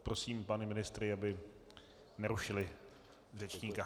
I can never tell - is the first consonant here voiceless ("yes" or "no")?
yes